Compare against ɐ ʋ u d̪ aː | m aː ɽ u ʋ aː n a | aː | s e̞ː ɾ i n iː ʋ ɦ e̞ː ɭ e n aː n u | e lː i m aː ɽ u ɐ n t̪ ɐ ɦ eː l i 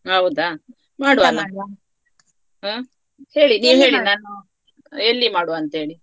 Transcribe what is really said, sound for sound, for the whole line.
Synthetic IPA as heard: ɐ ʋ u d̪ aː | m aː ɽ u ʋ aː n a | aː | h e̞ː ɭ i n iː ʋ ɦ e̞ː ɭ i n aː n u | e lː i m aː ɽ u ɐ n t̪ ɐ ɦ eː ɭ i

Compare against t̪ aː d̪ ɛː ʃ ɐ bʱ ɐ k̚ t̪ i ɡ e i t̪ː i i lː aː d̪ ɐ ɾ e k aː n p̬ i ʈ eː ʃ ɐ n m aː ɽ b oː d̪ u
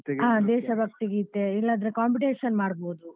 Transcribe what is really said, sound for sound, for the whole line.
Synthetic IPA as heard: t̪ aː d̪ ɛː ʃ ɐ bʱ ɐ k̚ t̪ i ɡ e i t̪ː e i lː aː d̪ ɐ ɾ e k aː m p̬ i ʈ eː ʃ ɐ n m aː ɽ b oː d̪ u

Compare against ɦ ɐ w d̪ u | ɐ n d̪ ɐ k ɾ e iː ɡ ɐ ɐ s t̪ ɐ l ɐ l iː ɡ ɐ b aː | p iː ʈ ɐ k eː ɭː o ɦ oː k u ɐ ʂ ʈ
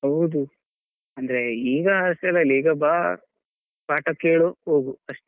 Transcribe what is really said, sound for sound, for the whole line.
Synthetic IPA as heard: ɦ ɐ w d̪ u | ɐ n d̪ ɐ ɾ e iː ɡ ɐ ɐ s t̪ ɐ l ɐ l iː ɡ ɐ b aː | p aː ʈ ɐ k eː ɭ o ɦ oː ɡ u ɐ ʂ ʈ

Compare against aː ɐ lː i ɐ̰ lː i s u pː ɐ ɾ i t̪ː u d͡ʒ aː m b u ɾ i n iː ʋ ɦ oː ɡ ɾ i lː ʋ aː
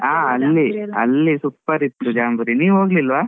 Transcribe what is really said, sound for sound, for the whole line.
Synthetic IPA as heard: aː ɐ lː i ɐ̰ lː i s u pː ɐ ɾ i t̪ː u d͡ʒ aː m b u ɾ i n iː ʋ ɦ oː ɡ l i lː ʋ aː

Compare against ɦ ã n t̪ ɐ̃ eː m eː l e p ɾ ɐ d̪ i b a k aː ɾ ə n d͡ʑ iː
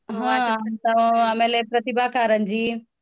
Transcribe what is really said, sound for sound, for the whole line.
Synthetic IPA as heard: ɦ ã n t̪ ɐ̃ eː m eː l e p ɾ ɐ t̪ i b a k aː ɾ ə n d͡ʑ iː

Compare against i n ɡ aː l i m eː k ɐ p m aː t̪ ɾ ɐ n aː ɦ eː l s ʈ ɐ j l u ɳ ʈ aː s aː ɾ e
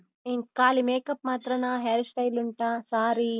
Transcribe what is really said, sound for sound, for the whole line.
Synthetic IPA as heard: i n k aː l i m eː k ɐ p m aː t̪ ɾ ɐ n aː ɦ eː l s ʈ ɐ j l u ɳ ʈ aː s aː ɾ i

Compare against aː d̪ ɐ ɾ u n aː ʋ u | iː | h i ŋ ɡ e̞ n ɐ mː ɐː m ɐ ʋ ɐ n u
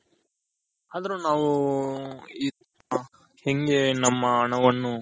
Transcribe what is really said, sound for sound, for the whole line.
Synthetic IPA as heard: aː d̪ ɐ ɾ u n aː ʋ u | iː | h e ŋ ɡ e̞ n ɐ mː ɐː ɳ ɐ ʋ ɐ nː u

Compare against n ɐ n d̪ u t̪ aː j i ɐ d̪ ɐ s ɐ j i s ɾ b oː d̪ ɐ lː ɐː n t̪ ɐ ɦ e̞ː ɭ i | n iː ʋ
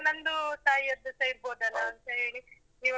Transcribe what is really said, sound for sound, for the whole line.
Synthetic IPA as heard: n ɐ n d̪ u t̪ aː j i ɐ d̪ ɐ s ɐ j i ɾ b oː d̪ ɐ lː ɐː n t̪ ɐ ɦ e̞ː ɭ i | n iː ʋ

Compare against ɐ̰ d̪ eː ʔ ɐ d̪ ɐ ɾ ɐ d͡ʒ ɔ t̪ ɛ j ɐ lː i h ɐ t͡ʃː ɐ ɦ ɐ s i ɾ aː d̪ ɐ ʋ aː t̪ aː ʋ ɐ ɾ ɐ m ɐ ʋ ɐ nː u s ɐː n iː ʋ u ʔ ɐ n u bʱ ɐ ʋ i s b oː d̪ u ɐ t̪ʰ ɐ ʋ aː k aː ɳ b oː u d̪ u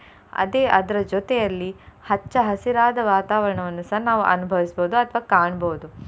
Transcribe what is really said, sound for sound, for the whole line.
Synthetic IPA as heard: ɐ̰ d̪ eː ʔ ɐ d̪ ɐ ɾ ɐ d͡ʒ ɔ t̪ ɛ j ɐ lː i h ɐ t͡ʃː ɐ ɦ ɐ s i ɾ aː d̪ ɐ ʋ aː t̪ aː ʋ ɐ ɾ ɐ ɳ ɐ ʋ ɐ nː u s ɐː n aː ʋ u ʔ ɐ n u bʱ ɐ ʋ i s b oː d̪ u ɐ t̪ʰ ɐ ʋ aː k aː ɳ b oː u d̪ u

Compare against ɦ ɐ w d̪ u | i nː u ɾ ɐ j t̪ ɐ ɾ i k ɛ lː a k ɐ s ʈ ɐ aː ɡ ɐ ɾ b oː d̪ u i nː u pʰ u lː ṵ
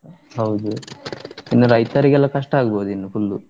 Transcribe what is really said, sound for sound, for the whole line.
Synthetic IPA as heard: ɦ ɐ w d̪ u | i nː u ɾ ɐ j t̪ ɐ ɾ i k ɛ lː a k ɐ ʂ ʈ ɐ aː ɡ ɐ b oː d̪ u i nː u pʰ u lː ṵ

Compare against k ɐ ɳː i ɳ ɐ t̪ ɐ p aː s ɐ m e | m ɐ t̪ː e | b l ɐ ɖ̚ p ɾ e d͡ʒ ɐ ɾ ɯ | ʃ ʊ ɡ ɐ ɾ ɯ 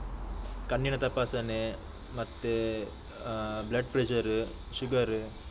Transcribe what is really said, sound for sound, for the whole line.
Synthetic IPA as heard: k ɐ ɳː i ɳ ɐ t̪ ɐ p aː s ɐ n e | m ɐ t̪ː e | b l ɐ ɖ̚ p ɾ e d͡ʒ ɐ ɾ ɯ | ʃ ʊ ɡ ɐ ɾ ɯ

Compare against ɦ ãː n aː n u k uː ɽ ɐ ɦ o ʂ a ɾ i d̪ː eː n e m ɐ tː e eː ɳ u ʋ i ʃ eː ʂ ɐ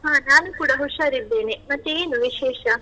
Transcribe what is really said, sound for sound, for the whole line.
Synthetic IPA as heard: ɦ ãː n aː n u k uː ɽ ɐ ɦ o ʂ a ɾ i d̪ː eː n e m ɐ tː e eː n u ʋ i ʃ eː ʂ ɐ

